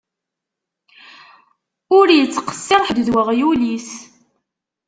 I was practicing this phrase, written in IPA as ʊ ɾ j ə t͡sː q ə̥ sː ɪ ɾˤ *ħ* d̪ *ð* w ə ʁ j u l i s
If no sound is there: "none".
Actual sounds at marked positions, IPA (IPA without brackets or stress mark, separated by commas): ħ, ð